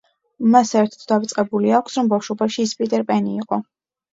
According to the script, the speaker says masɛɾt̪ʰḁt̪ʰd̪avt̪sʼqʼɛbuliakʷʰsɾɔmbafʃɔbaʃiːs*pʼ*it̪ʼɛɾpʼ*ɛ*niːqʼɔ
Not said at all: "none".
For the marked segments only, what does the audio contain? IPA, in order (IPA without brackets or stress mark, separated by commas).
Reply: pʼ, ɛ